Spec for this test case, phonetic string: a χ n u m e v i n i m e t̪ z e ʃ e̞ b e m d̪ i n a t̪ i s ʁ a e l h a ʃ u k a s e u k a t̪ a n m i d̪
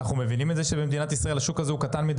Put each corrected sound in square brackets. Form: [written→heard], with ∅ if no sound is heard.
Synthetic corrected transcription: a χ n u m e v i n i m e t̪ z e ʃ e̞ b e m d̪ i n a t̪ i s ʁ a e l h a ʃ u k a [s→z] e u k a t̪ a n m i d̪